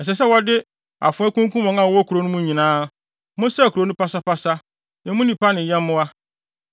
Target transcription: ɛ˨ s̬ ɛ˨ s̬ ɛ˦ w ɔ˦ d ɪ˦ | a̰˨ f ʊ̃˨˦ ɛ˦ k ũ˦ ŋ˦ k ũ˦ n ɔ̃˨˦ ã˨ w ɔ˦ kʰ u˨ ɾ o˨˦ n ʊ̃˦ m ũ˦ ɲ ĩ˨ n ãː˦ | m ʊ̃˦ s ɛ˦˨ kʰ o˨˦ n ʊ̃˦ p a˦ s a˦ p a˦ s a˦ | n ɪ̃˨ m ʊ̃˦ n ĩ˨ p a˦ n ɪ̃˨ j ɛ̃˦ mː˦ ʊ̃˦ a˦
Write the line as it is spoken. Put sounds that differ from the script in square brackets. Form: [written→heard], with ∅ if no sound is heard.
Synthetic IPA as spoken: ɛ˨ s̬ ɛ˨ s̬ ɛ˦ w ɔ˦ d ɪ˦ | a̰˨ f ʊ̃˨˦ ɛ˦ k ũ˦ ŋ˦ k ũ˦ [n→m] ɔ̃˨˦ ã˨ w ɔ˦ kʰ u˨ ɾ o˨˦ n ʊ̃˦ m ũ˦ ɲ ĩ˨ n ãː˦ | m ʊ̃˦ s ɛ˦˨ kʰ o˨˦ n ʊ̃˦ p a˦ s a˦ p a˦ s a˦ | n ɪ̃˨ m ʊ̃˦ n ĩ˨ p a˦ n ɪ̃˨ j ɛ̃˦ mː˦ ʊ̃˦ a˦